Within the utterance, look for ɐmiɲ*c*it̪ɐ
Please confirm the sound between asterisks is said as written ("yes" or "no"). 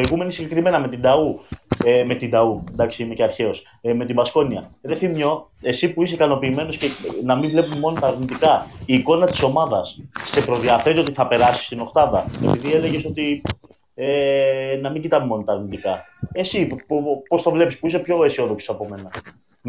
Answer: no